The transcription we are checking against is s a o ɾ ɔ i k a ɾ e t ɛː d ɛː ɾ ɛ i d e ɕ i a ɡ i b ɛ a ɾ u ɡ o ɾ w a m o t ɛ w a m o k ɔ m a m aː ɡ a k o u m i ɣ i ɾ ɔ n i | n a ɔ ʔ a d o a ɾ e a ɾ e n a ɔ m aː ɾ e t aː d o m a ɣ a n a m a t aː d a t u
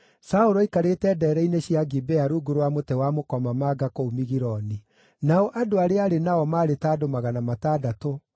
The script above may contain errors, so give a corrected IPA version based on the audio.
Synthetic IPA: s a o ɾ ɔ i k a ɾ e t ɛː d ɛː ɾ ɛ i n e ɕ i a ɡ i b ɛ a ɾ u ɡ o ɾ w a m o t ɛ w a m o k ɔ m a m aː ɡ a k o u m i ɣ i ɾ ɔ n i | n a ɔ ʔ a d o a ɾ e a ɾ e n a ɔ m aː ɾ e t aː d o m a ɣ a n a m a t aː d a t o